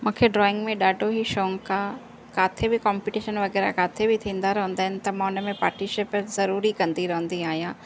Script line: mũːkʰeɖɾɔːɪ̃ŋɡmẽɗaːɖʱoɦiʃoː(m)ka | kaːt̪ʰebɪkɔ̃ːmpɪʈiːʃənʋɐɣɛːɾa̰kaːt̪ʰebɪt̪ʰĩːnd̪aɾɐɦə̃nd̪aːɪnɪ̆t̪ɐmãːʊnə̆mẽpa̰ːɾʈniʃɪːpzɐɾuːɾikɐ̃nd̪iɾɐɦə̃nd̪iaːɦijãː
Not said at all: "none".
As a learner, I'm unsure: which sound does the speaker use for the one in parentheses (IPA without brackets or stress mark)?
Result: ŋ